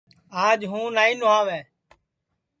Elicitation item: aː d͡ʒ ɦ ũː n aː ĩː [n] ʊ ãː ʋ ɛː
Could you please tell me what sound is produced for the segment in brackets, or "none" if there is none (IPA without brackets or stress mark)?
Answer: n